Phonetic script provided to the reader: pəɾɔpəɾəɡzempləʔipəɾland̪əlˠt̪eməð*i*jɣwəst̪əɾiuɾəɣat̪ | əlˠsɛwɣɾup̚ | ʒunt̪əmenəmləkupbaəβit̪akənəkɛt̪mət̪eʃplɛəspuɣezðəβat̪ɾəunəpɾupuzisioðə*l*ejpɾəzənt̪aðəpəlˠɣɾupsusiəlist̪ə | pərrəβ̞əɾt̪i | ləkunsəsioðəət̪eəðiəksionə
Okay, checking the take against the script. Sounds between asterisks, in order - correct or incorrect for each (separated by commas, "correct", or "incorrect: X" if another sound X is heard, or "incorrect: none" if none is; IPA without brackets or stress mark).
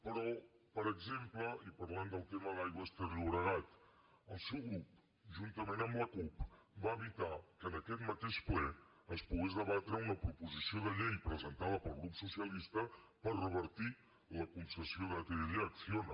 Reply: incorrect: a, incorrect: ʎ